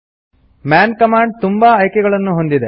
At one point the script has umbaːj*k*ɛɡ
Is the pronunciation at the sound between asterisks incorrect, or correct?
correct